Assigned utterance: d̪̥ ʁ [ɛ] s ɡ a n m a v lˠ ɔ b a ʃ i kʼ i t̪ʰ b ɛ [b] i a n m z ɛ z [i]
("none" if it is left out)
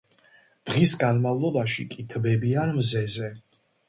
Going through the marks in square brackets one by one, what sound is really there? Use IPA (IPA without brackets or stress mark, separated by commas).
i, b, ɛ